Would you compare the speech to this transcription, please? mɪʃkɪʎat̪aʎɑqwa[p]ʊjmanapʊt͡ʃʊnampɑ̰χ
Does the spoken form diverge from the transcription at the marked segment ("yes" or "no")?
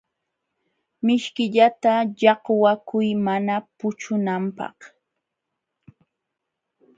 yes